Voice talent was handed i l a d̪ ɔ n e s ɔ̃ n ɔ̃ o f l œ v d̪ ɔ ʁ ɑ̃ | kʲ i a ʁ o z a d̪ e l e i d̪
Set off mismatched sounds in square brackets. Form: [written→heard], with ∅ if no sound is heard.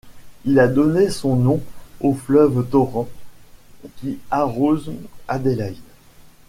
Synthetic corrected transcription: i l a d̪ ɔ n e s ɔ̃ n ɔ̃ o f l œ v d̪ ɔ ʁ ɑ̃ | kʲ i a ʁ o z a d̪ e l [e→a] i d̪